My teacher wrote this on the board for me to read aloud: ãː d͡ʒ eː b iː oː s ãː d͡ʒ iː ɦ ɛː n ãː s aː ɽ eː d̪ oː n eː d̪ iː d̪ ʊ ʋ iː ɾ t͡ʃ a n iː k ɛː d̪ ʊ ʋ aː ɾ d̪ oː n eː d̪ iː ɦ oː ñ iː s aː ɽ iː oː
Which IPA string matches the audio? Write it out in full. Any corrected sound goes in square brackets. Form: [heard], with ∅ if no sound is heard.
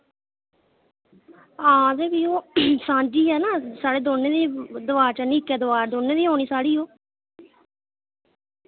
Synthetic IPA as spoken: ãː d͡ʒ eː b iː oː s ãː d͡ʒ iː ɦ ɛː n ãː s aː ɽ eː d̪ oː n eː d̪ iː d̪ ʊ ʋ [aː] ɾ t͡ʃ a n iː k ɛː d̪ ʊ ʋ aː ɾ d̪ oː n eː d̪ iː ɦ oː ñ iː s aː ɽ iː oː